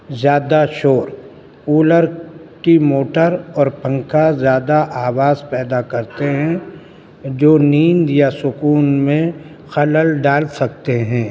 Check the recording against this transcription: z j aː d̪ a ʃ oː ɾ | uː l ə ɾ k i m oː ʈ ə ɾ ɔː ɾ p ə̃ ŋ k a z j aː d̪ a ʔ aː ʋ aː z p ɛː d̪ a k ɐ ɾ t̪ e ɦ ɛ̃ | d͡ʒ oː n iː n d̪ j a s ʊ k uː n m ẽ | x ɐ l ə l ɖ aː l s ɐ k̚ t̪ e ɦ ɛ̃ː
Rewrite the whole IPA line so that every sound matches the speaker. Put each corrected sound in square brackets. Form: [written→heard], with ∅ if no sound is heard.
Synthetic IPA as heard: z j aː d̪ a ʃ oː ɾ | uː l ə ɾ k i m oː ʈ ə ɾ ɔː ɾ p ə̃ ŋ k a z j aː d̪ a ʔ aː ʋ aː z p ɛː d̪ a k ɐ ɾ t̪ e ɦ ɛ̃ | d͡ʒ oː n iː n d̪ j a s ʊ k uː n m ẽ | x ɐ l ə l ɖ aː l s ɐ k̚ t̪ e ɦ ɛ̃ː